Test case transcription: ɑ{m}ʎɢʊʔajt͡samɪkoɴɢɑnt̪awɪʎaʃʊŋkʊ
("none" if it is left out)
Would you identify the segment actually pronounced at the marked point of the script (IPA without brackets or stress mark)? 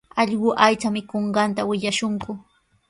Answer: none